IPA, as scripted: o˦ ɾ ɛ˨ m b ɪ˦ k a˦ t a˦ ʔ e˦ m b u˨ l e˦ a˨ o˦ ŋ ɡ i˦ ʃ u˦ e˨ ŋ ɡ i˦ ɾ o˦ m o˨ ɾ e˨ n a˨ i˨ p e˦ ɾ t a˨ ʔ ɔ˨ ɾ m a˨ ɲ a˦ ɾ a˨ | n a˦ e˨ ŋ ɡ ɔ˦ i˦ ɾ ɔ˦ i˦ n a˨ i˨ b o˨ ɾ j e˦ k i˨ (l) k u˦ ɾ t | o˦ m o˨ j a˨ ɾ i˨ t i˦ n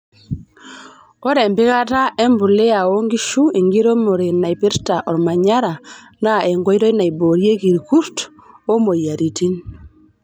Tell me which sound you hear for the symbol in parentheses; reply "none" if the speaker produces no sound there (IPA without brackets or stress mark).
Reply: ɾ